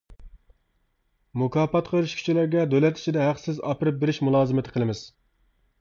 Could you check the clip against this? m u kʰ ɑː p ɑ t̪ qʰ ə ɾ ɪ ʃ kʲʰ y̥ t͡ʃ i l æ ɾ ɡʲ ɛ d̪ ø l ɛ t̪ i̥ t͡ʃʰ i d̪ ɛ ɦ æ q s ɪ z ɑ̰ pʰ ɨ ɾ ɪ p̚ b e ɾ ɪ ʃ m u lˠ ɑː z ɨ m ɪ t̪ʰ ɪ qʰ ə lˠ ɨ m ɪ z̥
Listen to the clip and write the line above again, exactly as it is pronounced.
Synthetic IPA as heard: m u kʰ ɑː p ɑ t̪ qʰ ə ɾ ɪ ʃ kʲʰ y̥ t͡ʃ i l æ ɾ ɡʲ ɛ d̪ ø l ɛ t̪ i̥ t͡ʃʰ i d̪ ɛ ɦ æ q s ɪ z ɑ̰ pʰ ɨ ɾ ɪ p̚ b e ɾ ɪ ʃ m u lˠ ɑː z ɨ m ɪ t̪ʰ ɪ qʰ ə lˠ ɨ m ɪ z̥